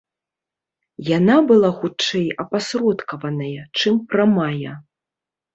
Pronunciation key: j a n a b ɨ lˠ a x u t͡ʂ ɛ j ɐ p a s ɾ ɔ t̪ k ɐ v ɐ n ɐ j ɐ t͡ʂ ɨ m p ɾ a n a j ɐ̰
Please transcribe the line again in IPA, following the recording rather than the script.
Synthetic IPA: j a n a b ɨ lˠ a x u t͡ʂ ɛ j ɐ p a s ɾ ɔ t̪ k ɐ v ɐ n ɐ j ɐ t͡ʂ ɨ m p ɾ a m a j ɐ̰